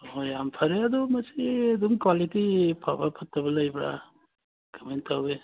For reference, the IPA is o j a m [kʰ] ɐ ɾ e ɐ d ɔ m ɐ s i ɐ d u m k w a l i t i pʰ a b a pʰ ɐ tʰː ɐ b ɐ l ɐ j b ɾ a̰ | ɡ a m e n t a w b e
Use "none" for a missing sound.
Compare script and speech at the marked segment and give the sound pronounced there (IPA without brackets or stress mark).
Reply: pʰ